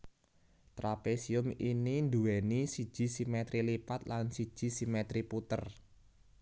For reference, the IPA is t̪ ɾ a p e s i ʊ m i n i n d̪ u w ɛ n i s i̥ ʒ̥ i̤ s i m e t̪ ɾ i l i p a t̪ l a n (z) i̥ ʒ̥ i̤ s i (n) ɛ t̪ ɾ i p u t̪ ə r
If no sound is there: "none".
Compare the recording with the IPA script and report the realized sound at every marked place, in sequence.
s, m

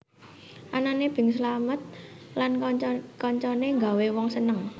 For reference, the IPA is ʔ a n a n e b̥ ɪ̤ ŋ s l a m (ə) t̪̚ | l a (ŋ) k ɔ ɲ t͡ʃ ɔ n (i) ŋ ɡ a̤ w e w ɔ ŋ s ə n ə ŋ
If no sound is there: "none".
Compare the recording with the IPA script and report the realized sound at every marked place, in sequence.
ə, n, e

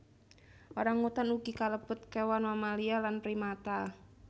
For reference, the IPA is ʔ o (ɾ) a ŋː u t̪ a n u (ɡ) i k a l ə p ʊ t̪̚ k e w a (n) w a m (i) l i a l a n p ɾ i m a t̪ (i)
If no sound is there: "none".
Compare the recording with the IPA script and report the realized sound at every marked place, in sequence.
ɾ, ɡ, n, a, a

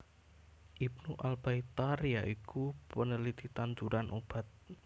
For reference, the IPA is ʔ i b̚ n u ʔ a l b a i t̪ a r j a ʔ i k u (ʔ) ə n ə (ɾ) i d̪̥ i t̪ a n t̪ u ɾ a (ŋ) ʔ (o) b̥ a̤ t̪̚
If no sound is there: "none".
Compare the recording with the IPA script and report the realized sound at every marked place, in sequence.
p, l, n, o

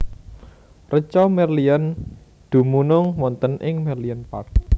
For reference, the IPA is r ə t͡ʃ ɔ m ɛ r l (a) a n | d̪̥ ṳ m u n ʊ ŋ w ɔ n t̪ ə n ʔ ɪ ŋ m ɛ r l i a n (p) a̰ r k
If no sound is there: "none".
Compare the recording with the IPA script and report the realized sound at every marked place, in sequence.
i, p

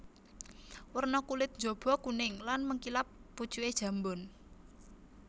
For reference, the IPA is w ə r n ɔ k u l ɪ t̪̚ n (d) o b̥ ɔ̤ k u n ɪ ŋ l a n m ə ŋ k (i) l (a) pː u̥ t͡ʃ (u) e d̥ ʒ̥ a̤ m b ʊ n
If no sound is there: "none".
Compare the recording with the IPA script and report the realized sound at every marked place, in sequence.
d͡ʒ, i, a, u

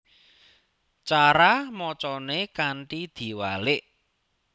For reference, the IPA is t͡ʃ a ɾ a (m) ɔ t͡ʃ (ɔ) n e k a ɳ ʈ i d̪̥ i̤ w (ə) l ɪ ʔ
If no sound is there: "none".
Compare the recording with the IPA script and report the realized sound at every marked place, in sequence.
m, ɔ, a

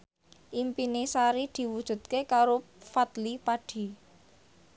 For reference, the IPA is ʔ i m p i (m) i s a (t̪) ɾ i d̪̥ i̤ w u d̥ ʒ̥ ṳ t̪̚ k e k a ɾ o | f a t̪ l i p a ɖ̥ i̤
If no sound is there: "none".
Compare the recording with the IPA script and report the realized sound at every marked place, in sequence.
n, none

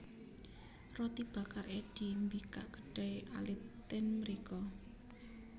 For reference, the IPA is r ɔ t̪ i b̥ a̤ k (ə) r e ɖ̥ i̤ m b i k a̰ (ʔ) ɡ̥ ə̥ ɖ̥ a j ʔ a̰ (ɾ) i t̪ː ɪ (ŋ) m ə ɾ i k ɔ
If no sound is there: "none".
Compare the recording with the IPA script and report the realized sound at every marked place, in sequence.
a, ʔ, l, n

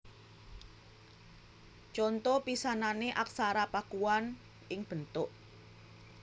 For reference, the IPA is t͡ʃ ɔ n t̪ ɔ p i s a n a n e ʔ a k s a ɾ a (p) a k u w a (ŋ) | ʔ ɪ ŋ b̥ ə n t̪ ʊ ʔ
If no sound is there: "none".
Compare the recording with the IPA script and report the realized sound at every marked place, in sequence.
p, n

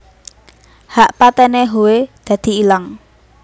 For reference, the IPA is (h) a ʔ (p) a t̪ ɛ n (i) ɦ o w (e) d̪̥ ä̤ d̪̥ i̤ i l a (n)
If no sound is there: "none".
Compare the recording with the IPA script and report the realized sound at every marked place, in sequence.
h, p, e, e, ŋ

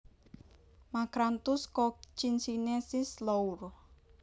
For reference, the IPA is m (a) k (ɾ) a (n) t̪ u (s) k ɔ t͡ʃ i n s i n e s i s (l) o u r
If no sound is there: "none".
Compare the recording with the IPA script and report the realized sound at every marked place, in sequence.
a, ɾ, n, s, l

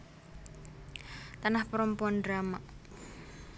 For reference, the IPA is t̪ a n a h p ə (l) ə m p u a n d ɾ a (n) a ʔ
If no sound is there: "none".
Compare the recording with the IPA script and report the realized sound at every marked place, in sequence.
ɾ, m

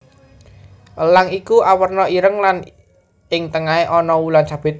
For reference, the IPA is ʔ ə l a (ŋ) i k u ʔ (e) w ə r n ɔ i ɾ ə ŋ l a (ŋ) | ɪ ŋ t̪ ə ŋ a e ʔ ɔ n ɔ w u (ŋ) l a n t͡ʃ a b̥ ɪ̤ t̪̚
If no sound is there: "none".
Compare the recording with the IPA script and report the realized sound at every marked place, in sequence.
ŋ, a, n, none

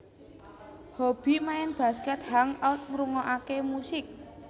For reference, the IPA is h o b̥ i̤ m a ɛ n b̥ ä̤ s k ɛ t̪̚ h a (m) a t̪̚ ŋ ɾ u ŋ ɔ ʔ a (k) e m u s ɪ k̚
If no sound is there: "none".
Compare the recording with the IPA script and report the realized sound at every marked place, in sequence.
ŋ, k

